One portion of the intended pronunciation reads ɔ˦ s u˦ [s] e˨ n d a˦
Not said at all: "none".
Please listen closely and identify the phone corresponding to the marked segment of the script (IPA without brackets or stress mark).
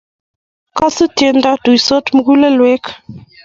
t